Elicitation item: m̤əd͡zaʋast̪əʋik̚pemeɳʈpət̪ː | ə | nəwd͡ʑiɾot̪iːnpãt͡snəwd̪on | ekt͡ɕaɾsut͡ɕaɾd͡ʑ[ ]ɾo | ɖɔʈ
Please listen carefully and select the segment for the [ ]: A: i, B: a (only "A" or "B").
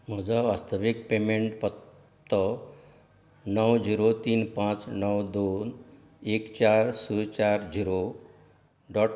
A